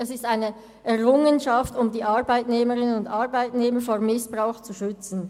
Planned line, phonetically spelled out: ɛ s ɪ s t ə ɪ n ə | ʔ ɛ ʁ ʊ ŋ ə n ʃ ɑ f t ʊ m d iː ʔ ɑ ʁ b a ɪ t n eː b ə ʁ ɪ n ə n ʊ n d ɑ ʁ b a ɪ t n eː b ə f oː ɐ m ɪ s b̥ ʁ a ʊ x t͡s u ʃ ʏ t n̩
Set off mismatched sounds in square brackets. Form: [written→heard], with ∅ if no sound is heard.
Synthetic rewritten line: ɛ s ɪ s t [ə→a] ɪ n ə | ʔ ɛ ʁ ʊ ŋ ə n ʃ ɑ f t ʊ m d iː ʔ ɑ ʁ b a ɪ t n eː [b→m] ə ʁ ɪ n ə n ʊ n d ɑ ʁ b a ɪ t n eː [b→m] ə f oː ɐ m ɪ s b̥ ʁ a ʊ x t͡s u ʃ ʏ [t→t͡s] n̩